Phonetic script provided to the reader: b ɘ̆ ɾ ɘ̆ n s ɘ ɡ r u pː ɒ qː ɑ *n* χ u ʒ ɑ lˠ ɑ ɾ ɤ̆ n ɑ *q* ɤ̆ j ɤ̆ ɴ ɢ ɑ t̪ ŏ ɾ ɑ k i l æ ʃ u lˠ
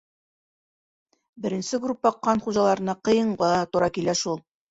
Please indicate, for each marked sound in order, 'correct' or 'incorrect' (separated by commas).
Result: correct, correct